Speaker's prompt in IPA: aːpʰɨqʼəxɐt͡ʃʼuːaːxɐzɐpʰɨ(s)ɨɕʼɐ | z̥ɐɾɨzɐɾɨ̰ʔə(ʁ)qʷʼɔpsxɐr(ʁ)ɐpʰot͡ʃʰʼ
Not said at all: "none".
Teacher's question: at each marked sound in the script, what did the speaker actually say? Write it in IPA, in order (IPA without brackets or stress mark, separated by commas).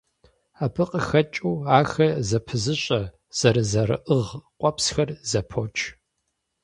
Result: z, ʁ, z